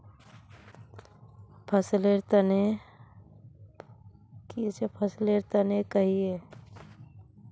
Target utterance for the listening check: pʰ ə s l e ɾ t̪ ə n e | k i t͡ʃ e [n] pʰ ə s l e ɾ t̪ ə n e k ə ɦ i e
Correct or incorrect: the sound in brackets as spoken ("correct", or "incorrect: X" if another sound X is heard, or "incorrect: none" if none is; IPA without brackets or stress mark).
incorrect: none